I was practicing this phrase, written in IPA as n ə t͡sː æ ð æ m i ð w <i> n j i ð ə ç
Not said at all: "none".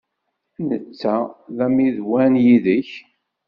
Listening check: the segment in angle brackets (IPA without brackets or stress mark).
æ